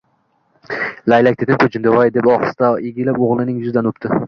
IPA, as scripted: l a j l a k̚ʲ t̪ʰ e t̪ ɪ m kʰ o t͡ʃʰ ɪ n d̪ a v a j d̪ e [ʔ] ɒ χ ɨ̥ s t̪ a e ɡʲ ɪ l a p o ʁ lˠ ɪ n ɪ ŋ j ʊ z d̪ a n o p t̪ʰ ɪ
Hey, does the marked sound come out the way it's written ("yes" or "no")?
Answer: no